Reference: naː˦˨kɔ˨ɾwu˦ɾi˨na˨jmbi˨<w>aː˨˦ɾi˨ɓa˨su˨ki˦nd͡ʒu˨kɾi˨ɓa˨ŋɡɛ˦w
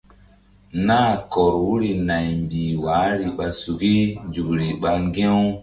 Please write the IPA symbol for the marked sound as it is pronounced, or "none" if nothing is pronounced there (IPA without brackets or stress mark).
w